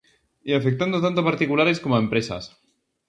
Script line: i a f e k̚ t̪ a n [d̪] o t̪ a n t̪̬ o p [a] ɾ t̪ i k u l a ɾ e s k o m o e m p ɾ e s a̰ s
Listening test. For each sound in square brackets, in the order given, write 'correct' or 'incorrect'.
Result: correct, correct

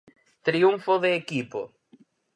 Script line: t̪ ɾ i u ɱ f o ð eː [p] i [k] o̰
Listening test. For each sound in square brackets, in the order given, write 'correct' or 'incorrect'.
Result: incorrect, incorrect

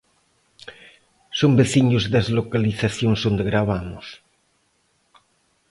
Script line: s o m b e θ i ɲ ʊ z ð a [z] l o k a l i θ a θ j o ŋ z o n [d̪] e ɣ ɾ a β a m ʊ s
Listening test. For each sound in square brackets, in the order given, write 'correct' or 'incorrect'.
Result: correct, correct

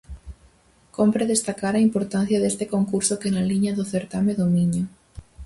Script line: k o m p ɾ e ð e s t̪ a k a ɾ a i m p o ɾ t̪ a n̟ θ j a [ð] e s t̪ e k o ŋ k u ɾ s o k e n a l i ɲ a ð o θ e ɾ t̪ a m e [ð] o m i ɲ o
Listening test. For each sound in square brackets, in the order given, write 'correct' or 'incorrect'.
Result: correct, correct

